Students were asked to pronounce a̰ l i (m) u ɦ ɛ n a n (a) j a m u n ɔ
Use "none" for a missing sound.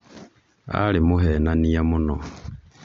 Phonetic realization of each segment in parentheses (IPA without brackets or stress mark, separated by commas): m, i